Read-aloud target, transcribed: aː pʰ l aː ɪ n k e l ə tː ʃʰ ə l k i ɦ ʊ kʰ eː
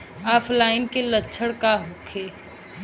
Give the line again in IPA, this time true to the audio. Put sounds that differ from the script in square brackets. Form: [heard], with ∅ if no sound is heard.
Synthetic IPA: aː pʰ l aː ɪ n k e l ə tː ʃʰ ə [ɽ] k [a] ɦ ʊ kʰ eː